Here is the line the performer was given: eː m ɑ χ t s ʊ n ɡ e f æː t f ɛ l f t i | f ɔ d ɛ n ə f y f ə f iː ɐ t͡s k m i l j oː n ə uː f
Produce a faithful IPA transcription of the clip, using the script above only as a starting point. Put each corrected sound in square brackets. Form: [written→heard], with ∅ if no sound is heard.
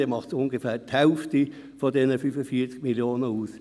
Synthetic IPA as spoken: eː m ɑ χ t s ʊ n ɡ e f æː t [f→h] ɛ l f t i | f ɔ d ɛ n ə f y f ə f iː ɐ t͡s k m i l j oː n ə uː [f→s]